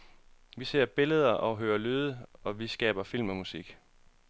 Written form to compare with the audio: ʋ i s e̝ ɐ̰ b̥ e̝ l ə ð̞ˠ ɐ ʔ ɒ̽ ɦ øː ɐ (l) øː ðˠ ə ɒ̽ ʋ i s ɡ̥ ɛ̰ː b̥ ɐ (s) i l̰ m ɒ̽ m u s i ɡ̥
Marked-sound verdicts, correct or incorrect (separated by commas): correct, incorrect